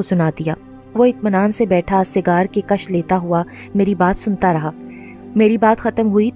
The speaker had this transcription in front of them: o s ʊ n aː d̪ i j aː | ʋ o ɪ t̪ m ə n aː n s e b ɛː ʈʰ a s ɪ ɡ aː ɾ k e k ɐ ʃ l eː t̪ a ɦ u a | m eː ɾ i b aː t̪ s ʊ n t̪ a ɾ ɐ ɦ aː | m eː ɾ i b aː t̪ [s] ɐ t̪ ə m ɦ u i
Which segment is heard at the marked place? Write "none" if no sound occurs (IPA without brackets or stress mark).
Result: x